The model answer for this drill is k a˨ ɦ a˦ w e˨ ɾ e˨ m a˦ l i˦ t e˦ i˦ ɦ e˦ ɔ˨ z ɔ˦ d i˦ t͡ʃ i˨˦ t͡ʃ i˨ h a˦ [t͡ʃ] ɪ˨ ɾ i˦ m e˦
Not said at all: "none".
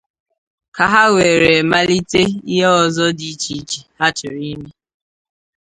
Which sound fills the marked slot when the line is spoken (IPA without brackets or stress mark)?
t͡ʃ